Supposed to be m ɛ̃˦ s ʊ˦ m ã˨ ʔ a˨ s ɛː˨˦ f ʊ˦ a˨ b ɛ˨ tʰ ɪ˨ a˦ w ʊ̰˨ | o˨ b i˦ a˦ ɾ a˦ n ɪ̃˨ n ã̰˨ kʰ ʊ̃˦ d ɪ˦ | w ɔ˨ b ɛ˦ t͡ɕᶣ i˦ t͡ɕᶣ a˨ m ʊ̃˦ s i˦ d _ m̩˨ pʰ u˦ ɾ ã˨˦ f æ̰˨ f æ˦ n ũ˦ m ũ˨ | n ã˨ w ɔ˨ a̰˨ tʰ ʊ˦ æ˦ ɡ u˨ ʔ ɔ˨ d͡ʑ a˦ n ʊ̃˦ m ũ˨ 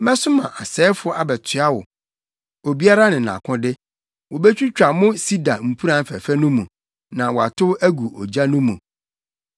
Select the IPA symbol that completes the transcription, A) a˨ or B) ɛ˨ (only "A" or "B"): A